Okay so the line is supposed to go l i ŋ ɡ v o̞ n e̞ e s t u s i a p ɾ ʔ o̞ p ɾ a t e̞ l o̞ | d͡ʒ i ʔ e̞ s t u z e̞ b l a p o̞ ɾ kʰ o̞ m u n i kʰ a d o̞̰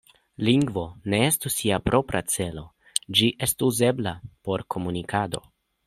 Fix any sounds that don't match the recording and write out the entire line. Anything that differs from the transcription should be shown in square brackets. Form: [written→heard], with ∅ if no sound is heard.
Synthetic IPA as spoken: l i ŋ ɡ v o̞ n e̞ e s t u s i a p ɾ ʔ o̞ p ɾ a [t→t͡s] e̞ l o̞ | d͡ʒ i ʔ e̞ s t u z e̞ b l a p o̞ ɾ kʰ o̞ m u n i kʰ a d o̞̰